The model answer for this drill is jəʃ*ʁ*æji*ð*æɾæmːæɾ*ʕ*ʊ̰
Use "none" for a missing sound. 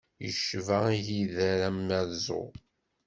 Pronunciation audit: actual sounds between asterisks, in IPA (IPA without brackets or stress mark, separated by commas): v, ð, z